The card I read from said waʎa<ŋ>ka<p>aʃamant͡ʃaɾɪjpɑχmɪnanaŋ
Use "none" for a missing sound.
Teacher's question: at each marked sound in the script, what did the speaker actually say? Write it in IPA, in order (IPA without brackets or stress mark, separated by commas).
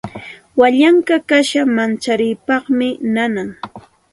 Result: ŋ, k